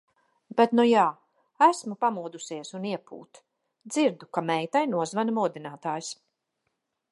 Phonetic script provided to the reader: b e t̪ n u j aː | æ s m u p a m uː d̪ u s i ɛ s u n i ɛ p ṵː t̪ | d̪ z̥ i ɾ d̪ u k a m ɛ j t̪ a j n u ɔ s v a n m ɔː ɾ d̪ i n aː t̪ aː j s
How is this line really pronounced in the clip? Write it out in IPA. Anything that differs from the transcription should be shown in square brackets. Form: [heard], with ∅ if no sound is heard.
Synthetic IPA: b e t̪ n u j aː | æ s m u p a m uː d̪ u s i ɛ s u n i ɛ p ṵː t̪ | d̪ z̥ i ɾ d̪ u k a m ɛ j t̪ a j n u ɔ [z] v a n m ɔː [∅] d̪ i n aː t̪ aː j s